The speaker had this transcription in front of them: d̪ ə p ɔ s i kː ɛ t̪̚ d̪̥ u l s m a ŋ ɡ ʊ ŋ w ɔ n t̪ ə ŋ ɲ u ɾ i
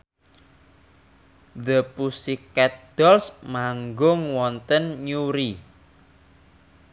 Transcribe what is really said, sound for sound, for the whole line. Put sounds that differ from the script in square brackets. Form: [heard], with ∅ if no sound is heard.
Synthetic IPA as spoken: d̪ ə p [u] s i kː ɛ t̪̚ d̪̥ [ɔ] l s m a ŋ ɡ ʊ ŋ w ɔ n t̪ ə [n] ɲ u ɾ i